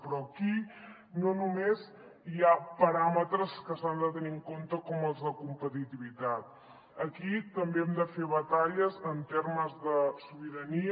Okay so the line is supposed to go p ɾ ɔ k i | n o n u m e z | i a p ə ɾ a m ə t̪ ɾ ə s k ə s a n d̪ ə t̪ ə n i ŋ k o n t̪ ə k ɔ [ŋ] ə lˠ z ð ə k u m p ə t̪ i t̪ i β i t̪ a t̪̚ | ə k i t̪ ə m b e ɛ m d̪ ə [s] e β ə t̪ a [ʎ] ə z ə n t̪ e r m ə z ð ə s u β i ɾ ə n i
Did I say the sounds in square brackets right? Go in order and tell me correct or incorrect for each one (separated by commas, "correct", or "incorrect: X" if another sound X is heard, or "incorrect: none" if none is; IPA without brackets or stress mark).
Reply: incorrect: m, incorrect: f, correct